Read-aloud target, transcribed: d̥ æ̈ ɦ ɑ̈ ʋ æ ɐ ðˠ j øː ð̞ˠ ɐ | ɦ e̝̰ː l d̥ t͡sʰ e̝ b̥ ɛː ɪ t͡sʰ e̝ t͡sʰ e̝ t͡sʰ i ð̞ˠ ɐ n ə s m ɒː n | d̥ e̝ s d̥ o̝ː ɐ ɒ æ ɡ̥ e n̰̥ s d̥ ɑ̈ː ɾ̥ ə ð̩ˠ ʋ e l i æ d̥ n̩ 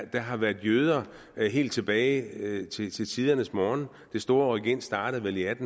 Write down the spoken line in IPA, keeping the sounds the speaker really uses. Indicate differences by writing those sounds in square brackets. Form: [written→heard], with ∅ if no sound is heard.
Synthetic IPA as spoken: d̥ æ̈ ɦ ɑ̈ ʋ æ ɐ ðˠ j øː ð̞ˠ ɐ | ɦ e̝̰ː l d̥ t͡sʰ e̝ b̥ ɛː ɪ t͡sʰ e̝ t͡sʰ e̝ t͡sʰ i ð̞ˠ ɐ n ə s m ɒː n | d̥ e̝ s d̥ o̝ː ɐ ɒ [æ→i] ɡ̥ e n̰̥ s d̥ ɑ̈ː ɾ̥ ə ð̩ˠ ʋ e l i æ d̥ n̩